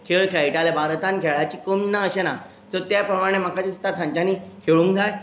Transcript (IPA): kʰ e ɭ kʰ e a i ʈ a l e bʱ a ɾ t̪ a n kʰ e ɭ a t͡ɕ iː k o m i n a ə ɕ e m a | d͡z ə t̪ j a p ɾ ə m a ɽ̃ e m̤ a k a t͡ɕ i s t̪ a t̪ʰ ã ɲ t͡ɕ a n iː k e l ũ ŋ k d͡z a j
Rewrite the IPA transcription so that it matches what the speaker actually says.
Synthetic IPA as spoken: kʰ e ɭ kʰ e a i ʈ a l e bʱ a ɾ t̪ a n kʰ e ɭ a t͡ɕ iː k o m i n a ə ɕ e n a | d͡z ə t̪ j a p ɾ ə m a ɽ̃ e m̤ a k a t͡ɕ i s t̪ a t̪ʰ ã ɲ t͡ɕ a n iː kʰ e ɭ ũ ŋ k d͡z a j